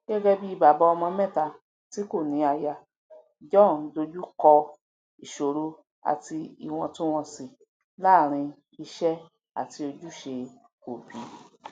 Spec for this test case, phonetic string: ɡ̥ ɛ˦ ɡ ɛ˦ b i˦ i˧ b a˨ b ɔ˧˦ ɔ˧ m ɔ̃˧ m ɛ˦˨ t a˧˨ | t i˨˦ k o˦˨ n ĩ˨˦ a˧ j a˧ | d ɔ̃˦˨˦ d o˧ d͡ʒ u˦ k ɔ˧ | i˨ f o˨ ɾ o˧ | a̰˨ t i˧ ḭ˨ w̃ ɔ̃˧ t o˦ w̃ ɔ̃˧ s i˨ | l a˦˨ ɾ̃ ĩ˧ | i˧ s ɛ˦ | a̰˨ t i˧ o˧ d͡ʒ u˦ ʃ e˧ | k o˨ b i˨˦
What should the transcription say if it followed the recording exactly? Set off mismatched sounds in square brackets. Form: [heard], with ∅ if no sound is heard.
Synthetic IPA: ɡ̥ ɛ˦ ɡ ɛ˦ b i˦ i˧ b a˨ b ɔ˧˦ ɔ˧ m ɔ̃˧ m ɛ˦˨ t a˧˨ | t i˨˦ k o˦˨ n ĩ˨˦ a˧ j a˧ | [d͡ʒ] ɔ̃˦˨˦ d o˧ d͡ʒ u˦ k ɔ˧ | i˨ [ʃ] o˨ ɾ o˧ | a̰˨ t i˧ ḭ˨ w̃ ɔ̃˧ t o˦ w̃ ɔ̃˧ s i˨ | l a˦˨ ɾ̃ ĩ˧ | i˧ [ʃ] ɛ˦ | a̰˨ t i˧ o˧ d͡ʒ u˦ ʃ e˧ | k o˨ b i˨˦